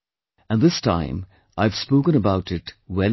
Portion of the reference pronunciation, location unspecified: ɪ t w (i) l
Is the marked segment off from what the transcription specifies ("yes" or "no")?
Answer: yes